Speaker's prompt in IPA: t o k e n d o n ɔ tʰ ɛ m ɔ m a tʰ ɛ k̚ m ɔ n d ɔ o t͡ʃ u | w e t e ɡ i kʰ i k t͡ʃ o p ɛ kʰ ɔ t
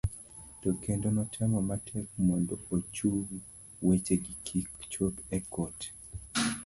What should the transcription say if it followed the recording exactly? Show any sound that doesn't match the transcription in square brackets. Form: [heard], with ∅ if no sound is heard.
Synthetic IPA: t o k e n d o n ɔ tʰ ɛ m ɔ m a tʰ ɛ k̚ m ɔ n d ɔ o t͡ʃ u | w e [t͡ʃ] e ɡ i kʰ i k t͡ʃ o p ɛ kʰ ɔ t

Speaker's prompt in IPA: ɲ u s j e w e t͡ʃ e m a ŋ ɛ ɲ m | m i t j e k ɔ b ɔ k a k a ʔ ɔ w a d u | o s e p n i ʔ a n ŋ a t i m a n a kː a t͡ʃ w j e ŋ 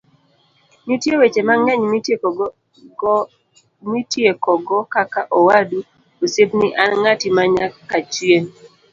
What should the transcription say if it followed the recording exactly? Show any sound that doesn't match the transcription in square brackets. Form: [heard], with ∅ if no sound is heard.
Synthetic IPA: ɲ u [t] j e w e t͡ʃ e m a ŋ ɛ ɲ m | m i t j e k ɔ [ɡ] ɔ k a k a ʔ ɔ w a d u | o s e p n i ʔ a n ŋ a t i m a [ɲ] a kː a t͡ʃ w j e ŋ

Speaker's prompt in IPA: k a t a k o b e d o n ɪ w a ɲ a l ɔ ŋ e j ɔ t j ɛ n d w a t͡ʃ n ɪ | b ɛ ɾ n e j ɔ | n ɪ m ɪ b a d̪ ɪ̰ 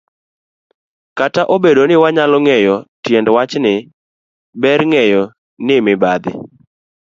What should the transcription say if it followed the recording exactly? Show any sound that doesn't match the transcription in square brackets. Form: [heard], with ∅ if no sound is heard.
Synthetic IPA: k a t a [ʔ] o b e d o n ɪ w a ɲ a l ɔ ŋ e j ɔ t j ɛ n d w a t͡ʃ n ɪ | b ɛ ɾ [ŋ] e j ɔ | n ɪ m ɪ b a d̪ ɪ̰

